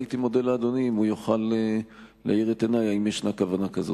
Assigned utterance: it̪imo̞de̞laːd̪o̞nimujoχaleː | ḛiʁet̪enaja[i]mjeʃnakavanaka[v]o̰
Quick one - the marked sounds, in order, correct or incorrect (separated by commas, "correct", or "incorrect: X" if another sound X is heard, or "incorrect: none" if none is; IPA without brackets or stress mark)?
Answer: correct, incorrect: z